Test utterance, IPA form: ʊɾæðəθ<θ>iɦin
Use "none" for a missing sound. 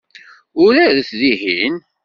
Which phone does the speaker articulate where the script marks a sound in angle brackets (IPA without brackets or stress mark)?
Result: ð